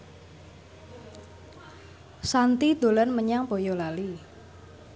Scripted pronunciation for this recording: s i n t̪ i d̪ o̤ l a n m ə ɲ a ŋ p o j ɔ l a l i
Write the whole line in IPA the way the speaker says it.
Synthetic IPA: s a n t̪ i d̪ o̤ l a n m ə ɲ a ŋ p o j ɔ l a l i